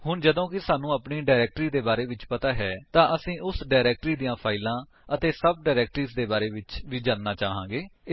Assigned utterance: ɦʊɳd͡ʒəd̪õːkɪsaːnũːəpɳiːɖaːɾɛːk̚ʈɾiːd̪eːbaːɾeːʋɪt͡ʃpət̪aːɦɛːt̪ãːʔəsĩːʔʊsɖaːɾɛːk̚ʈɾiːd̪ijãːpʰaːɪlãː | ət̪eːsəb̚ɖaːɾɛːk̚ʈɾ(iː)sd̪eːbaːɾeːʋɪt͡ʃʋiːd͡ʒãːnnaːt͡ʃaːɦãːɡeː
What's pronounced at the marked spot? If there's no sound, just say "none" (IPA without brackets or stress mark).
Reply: iː